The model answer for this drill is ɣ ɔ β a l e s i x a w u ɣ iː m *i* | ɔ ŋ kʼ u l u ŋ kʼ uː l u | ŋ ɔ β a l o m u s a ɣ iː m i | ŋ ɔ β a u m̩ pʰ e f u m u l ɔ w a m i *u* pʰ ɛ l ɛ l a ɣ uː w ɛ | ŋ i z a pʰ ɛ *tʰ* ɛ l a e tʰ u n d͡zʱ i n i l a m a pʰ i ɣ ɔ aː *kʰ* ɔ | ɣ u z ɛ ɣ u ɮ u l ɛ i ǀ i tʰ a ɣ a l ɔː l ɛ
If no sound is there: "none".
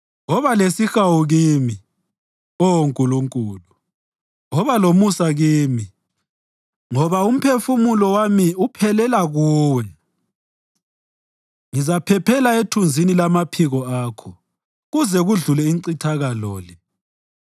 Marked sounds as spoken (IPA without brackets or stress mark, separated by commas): i, u, pʰ, kʰ